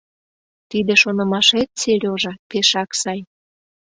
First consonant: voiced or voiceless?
voiceless